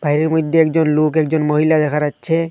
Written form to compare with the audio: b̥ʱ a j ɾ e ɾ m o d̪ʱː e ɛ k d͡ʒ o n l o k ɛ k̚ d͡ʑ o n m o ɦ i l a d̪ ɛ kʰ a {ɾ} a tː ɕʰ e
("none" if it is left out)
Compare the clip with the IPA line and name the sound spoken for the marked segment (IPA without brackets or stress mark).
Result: ɾ